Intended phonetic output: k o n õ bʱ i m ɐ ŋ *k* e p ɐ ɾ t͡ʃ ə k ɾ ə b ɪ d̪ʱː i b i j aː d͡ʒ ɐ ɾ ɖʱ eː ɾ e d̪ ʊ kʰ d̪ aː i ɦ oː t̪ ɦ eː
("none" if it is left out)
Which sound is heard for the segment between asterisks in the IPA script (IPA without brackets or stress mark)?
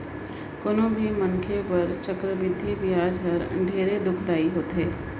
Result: kʰ